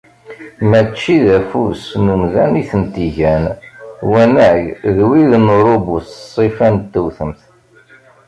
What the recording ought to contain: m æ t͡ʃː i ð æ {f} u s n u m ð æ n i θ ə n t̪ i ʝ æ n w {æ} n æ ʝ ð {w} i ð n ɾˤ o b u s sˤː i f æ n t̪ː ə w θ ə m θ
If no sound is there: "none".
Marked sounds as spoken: f, æ, w

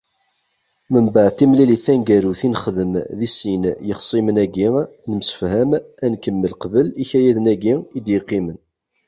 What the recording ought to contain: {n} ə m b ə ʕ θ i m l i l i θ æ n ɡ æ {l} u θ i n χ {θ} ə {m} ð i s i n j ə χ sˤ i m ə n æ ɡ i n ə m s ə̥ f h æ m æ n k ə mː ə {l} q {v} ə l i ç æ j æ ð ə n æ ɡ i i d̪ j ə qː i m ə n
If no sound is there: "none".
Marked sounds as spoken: m, ɾ, ð, m, l, v

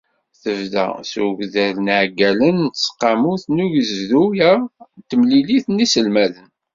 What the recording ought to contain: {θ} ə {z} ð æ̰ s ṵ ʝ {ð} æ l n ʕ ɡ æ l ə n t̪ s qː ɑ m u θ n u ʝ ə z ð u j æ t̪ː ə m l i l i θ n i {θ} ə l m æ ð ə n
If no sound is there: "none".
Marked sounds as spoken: θ, v, ð, s

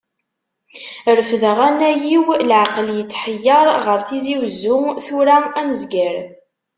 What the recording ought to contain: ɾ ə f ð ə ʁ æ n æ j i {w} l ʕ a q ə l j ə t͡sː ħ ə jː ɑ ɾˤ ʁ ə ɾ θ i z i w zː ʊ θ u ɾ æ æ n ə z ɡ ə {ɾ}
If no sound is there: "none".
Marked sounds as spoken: w, ɾ

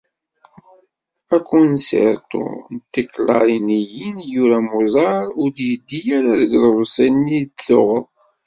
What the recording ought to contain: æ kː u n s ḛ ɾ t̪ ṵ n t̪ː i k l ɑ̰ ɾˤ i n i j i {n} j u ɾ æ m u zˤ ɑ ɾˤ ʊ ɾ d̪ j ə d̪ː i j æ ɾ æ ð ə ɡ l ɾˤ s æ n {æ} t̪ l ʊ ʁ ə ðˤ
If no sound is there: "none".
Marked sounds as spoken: n, i

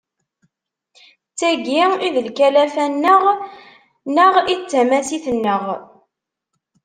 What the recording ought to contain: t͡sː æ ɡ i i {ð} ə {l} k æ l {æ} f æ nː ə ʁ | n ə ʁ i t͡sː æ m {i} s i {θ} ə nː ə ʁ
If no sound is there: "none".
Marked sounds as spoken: ð, l, æ, æ, θ

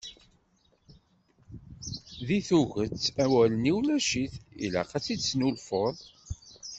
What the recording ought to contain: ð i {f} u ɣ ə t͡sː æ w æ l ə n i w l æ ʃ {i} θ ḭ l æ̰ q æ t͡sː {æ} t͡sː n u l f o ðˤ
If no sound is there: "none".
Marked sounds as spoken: θ, i, i

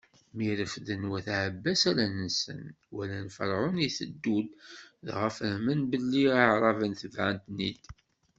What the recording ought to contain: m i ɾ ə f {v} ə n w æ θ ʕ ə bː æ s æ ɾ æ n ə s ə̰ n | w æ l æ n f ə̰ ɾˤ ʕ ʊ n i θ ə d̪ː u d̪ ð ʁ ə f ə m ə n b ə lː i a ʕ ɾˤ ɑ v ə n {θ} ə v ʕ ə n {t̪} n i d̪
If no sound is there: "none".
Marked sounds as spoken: ð, θ, t̪

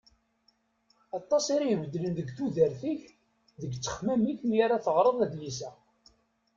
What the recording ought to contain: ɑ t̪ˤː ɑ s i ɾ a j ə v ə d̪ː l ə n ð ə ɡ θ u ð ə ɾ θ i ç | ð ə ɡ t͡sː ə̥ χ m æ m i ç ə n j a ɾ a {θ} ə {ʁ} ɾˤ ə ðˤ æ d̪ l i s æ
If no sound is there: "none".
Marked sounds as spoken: θ, ʁ

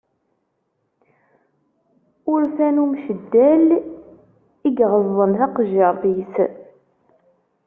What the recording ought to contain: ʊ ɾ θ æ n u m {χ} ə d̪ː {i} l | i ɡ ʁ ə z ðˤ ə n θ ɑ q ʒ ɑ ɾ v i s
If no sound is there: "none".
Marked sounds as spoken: ʃ, æ

